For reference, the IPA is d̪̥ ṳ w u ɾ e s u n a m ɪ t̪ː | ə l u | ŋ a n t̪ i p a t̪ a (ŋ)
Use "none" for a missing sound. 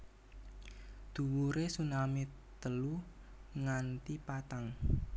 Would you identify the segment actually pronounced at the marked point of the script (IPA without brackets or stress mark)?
ŋ